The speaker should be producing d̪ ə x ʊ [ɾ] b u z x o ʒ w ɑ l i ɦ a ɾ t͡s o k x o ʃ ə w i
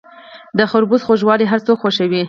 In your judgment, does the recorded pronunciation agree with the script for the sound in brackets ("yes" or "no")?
yes